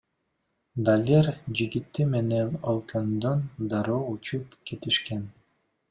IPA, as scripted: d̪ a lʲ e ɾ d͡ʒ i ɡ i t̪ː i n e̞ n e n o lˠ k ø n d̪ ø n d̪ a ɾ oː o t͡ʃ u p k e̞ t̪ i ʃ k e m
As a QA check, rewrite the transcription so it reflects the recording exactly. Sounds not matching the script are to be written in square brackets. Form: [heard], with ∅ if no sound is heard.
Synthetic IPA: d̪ a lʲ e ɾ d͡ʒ i ɡ i t̪ː i [m] e̞ n e n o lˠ k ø n d̪ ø n d̪ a ɾ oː [u] t͡ʃ u p k e̞ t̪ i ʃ k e [n]